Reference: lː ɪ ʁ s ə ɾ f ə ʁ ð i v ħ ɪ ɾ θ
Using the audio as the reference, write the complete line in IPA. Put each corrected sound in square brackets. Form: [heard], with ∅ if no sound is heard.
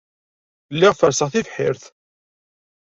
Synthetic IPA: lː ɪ ʁ [f] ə ɾ [s] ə ʁ [θ] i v ħ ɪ ɾ θ